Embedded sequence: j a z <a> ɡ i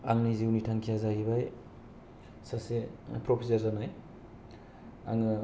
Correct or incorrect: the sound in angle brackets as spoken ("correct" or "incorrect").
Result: correct